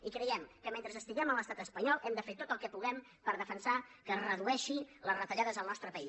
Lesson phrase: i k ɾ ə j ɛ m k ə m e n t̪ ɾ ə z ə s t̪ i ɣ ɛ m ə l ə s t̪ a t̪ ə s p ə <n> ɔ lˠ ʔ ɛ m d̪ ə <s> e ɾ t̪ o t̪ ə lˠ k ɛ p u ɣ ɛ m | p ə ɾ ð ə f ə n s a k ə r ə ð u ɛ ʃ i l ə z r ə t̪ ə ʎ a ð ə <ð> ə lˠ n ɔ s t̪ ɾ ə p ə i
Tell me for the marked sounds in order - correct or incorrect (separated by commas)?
incorrect, incorrect, incorrect